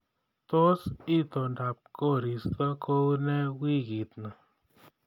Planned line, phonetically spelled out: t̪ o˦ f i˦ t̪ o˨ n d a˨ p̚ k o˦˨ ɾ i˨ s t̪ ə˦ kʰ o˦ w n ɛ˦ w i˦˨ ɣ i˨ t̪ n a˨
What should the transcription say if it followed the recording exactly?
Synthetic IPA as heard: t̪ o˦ s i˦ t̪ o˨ n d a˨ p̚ k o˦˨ ɾ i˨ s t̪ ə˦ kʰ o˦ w n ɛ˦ w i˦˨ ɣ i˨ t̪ n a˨